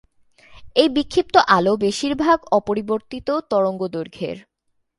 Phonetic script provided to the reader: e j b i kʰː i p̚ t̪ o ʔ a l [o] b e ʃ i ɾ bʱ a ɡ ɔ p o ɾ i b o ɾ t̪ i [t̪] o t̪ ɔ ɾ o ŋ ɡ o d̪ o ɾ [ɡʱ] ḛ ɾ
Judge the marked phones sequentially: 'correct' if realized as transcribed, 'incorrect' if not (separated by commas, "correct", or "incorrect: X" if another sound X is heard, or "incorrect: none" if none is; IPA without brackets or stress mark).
correct, correct, correct